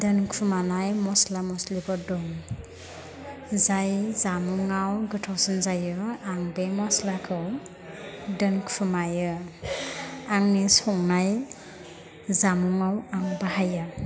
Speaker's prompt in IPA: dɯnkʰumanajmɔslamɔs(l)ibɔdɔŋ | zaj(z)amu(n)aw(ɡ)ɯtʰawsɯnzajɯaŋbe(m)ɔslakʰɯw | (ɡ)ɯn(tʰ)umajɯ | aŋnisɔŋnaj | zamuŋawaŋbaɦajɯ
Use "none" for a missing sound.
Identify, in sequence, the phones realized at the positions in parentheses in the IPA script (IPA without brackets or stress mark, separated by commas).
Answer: l, z, ŋ, ɡ, m, d, kʰ